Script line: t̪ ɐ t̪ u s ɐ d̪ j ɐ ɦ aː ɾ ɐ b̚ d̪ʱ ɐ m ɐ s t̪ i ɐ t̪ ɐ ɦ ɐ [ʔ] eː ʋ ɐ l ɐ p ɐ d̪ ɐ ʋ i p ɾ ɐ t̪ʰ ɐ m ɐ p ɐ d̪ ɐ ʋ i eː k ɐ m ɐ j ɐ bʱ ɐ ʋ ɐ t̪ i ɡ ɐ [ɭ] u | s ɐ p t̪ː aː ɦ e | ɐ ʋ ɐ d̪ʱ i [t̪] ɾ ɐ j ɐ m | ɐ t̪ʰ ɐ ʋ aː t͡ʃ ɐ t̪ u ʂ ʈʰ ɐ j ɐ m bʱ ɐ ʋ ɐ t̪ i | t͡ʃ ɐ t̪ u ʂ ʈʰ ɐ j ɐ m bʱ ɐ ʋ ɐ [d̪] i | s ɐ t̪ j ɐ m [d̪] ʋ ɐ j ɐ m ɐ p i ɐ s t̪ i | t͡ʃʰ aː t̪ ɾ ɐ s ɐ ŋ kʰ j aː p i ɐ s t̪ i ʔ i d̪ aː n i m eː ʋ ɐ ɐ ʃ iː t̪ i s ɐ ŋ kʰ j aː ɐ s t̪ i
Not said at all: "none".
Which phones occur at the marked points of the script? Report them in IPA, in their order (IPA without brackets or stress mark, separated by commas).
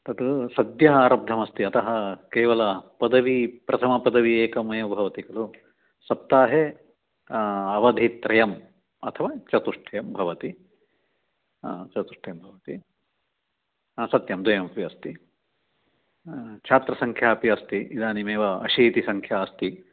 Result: k, l, t̪, t̪, d̪